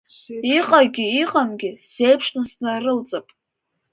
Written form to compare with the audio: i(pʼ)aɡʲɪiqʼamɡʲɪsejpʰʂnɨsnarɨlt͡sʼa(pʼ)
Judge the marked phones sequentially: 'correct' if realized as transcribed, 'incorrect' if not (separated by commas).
incorrect, correct